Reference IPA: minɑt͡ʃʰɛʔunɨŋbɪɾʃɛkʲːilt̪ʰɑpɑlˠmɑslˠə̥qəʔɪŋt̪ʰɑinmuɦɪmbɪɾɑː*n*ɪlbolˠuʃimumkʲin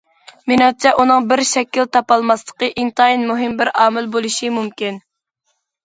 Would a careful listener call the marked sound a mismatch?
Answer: yes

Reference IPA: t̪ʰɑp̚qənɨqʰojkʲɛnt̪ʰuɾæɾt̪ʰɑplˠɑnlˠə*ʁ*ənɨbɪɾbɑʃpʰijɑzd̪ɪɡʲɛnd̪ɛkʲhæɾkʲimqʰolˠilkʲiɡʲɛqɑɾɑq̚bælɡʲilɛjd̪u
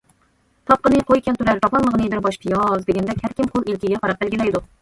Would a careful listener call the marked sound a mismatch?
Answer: no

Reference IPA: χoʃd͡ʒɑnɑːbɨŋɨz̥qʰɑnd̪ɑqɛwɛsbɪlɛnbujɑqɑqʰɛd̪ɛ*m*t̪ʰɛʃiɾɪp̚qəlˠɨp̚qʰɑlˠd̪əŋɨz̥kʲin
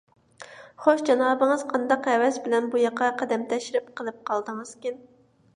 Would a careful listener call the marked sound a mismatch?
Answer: no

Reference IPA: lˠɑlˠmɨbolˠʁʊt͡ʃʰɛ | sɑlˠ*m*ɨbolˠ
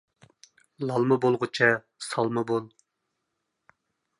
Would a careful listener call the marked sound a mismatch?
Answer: no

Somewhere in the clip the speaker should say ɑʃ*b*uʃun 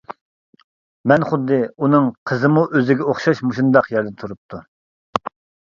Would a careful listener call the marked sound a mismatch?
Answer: yes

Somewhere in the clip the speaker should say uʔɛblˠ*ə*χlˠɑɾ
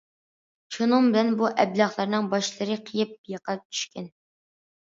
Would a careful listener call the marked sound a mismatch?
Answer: yes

